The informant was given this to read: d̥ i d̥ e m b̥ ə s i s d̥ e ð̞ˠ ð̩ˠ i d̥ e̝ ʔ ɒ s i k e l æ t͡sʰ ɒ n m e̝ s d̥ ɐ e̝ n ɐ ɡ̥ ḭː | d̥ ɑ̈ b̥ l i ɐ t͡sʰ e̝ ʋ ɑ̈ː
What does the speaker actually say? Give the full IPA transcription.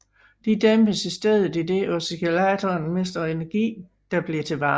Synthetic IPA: d̥ i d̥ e m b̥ ə s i s d̥ e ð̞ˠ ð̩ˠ i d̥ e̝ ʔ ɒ s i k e l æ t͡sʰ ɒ n m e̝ s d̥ ɐ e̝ n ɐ ɡ̥ ḭː | d̥ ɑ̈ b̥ l i ɐ t͡sʰ e̝ ʋ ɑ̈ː

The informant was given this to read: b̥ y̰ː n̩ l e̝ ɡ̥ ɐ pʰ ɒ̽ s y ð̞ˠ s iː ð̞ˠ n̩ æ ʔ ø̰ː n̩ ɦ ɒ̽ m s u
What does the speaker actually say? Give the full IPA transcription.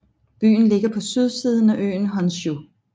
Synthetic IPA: b̥ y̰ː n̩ l e̝ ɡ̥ ɐ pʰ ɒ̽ s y ð̞ˠ s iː ð̞ˠ n̩ æ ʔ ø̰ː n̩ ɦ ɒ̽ n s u

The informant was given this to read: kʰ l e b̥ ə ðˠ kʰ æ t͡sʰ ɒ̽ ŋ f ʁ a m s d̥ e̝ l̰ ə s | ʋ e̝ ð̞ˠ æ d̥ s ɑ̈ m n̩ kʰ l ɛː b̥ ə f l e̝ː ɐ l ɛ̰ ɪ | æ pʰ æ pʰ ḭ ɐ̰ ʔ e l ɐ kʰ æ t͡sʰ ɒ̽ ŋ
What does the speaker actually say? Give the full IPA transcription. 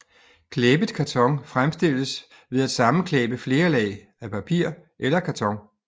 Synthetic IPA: kʰ l e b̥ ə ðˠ kʰ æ t͡sʰ ɒ̽ ŋ f ʁ a m s d̥ e̝ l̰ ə s | ʋ e̝ ð̞ˠ æ d̥ s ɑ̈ m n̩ kʰ l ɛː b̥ ə f l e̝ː ɐ l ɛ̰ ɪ | æ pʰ æ pʰ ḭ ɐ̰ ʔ e l ɐ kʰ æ t͡sʰ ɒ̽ ŋ

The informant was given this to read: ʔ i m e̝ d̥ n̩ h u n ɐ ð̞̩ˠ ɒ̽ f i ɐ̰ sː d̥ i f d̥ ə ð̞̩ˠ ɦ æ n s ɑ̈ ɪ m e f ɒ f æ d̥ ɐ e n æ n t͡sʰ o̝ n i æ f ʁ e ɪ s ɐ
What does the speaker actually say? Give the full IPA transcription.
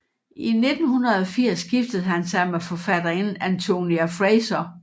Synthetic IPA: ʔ i n e̝ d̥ n̩ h u n ɐ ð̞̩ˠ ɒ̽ f i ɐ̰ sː ɡ̥ i f d̥ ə ð̞̩ˠ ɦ æ n s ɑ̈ ɪ m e f ɒ f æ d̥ ɐ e n æ n t͡sʰ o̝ n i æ f ʁ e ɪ s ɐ

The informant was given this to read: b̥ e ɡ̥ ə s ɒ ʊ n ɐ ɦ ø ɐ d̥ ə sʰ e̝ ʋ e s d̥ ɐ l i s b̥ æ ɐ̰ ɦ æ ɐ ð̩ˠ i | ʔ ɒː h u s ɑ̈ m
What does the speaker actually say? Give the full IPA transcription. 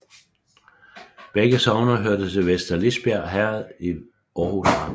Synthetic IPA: b̥ e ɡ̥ ə s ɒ ʊ n ɐ ɦ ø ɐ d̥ ə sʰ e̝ ʋ e s d̥ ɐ l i s b̥ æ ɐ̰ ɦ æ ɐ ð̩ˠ i | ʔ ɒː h u s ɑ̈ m

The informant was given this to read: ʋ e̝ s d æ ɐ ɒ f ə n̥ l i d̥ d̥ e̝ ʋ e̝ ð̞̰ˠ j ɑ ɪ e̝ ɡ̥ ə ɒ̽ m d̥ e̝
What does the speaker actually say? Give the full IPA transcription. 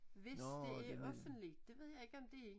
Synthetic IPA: ʋ e̝ s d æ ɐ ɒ f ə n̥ l i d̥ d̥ e̝ ʋ e̝ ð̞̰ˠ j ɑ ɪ e̝ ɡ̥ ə ɒ̽ m d̥ e̝

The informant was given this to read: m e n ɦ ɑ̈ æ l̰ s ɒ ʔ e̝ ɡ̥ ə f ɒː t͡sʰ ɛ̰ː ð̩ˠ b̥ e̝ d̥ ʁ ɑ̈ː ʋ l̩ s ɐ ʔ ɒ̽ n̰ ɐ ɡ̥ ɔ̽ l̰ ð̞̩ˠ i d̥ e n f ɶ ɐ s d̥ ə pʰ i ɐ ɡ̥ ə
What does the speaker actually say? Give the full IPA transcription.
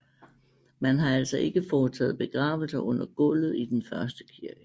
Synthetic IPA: m æ n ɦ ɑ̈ æ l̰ s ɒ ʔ e̝ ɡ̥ ə f ɒː t͡sʰ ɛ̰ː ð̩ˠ b̥ e̝ ɡ̥ ʁ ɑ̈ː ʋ l̩ s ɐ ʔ ɔ̽ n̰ ɐ ɡ̥ ɔ̽ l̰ ð̞̩ˠ i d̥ e n f ɶ ɐ s d̥ ə kʰ i ɐ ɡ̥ ə

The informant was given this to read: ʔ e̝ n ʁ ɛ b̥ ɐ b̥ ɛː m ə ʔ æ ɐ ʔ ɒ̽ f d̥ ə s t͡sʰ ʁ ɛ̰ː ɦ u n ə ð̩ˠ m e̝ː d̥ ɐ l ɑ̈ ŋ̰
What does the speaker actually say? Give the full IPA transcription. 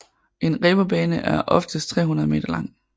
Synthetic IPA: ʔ e̝ n ʁ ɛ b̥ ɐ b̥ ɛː n ə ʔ æ ɐ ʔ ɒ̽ f d̥ ə s t͡sʰ ʁ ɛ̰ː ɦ u n ɐ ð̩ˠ m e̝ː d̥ ɐ l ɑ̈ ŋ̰

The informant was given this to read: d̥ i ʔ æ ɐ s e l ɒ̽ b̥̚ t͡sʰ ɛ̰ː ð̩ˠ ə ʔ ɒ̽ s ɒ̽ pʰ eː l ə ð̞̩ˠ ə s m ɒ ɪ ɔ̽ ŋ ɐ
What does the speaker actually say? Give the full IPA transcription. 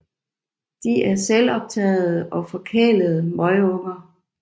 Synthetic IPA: d̥ i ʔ æ ɐ s e l ɒ̽ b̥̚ t͡sʰ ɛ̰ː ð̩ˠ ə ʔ ɒ̽ f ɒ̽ kʰ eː l ə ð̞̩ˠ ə m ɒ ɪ ɔ̽ ŋ ɐ

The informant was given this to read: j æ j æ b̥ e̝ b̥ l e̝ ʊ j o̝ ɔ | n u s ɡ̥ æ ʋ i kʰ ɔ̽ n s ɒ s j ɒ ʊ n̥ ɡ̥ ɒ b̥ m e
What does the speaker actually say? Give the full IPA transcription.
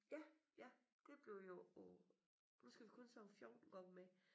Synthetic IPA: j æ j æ d̥ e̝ b̥ l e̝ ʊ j o̝ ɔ | n u s ɡ̥ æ ʋ i kʰ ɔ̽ n s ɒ f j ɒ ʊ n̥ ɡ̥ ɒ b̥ m e

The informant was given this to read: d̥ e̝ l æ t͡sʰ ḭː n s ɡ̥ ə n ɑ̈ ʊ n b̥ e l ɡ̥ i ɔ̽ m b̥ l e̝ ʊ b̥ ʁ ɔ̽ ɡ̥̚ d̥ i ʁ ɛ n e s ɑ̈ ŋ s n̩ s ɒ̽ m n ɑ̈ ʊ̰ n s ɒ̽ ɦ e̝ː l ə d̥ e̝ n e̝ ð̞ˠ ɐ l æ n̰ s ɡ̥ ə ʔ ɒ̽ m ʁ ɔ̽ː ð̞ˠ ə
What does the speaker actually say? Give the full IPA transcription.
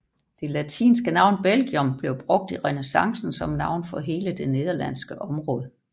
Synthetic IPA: d̥ e̝ l æ t͡sʰ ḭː n s ɡ̥ ə n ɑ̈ ʊ n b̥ e l ɡ̥ i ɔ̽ m b̥ l e̝ ʊ b̥ ʁ ɔ̽ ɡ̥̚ d̥ i ʁ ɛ n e s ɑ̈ ŋ s n̩ s ɒ̽ m n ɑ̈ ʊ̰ n f ɒ̽ ɦ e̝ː l ə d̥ e̝ n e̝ ð̞ˠ ɐ l æ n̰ s ɡ̥ ə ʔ ɒ̽ m ʁ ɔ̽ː ð̞ˠ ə

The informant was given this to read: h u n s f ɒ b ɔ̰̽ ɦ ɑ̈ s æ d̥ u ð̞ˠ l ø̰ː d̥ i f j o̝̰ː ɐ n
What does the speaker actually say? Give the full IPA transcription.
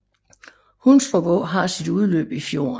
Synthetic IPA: h u n s f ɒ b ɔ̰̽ ɦ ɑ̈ s i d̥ u ð̞ˠ l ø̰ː b̥ i f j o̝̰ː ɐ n

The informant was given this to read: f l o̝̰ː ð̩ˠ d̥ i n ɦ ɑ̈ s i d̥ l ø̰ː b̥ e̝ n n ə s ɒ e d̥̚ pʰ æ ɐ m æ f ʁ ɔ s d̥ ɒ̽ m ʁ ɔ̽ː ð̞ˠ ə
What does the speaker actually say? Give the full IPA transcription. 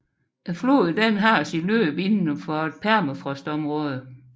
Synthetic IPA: f l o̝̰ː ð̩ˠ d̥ e n ɦ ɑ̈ s i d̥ l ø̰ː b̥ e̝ n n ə f ɒ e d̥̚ pʰ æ ɐ m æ f ʁ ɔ s d̥ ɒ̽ m ʁ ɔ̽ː ð̞ˠ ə

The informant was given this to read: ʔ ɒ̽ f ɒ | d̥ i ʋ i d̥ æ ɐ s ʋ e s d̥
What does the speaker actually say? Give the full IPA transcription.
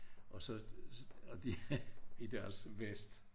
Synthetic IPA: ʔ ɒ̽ s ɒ | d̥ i i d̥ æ ɐ s ʋ e s d̥

